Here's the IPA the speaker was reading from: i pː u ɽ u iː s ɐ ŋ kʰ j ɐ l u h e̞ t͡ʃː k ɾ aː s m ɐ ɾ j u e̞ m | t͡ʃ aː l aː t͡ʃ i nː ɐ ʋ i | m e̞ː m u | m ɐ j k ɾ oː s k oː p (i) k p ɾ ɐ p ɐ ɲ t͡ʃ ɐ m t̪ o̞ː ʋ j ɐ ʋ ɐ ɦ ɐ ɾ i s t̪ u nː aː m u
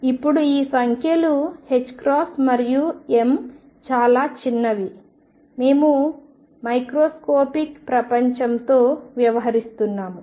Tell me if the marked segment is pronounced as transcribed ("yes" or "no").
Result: yes